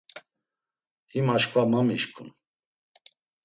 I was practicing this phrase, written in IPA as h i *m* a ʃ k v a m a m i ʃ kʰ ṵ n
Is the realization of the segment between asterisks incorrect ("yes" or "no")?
no